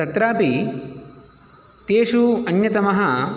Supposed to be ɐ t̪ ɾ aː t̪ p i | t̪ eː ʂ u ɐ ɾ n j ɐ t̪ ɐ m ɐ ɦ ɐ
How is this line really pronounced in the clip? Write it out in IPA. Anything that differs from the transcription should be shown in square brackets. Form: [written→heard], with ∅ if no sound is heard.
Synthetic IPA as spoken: ɐ t̪ ɾ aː [t̪→∅] p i | t̪ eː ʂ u ɐ [ɾ→∅] n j ɐ t̪ ɐ m ɐ ɦ ɐ